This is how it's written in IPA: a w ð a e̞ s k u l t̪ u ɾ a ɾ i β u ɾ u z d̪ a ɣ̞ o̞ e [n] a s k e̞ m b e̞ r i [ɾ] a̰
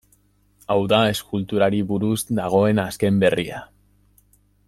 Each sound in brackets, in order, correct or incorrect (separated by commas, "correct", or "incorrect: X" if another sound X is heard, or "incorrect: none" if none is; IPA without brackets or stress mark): correct, incorrect: none